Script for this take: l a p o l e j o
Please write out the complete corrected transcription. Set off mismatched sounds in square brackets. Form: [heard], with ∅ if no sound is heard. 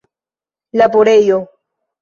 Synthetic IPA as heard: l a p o [ɾ] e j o